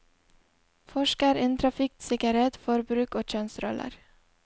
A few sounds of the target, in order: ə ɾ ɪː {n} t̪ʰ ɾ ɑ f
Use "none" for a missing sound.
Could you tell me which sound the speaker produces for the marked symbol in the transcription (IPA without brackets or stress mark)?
n